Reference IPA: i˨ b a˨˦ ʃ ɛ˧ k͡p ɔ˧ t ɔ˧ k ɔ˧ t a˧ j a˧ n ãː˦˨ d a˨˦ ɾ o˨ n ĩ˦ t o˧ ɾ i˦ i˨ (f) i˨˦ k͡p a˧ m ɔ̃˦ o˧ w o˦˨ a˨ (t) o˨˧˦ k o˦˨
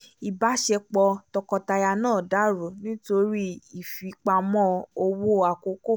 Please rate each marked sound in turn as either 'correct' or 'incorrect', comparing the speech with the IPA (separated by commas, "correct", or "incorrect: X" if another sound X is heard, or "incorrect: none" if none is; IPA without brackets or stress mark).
correct, incorrect: k